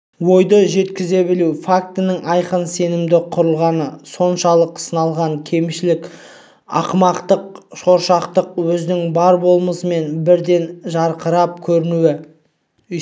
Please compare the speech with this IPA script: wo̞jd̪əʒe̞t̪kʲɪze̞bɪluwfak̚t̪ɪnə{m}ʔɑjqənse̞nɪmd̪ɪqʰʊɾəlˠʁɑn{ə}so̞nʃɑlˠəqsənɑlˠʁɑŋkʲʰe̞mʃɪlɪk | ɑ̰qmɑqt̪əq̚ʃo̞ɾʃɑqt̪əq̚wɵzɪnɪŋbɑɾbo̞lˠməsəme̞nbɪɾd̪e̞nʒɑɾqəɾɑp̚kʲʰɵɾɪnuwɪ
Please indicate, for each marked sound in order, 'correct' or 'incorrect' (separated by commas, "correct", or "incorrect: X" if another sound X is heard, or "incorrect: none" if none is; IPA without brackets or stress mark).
incorrect: ŋ, correct